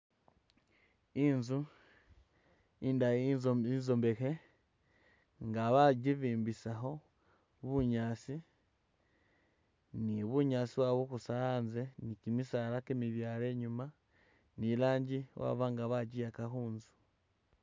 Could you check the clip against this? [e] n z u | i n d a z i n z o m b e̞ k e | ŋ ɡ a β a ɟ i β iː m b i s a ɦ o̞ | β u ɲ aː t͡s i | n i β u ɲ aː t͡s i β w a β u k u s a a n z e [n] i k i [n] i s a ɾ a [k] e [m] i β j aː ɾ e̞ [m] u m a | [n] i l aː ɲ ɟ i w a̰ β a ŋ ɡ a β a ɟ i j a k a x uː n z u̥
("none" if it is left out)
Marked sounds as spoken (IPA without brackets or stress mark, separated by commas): i, n, m, k, m, ɲ, n